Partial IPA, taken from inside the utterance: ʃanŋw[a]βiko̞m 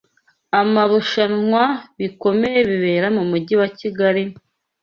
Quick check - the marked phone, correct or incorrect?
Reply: correct